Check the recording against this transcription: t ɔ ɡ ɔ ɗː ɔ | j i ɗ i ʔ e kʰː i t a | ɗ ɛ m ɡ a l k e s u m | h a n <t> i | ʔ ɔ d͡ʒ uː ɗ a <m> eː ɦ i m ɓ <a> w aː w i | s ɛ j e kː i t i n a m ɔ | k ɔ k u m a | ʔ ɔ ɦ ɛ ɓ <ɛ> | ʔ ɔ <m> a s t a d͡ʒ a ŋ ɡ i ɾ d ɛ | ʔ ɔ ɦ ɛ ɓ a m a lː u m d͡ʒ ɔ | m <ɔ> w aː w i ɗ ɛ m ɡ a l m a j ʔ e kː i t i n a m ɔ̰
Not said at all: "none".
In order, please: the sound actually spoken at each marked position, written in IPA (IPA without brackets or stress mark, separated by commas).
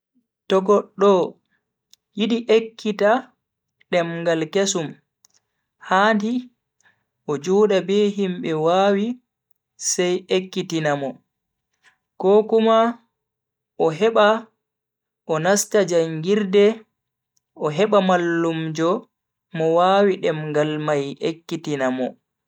d, b, ɛ, a, n, ɔ